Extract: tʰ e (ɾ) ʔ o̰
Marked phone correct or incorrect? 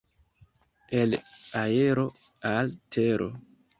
correct